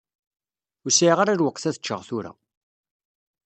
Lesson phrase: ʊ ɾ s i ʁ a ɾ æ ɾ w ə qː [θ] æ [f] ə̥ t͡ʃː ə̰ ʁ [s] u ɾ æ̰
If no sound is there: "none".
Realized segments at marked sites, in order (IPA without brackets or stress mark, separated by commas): θ, θ, θ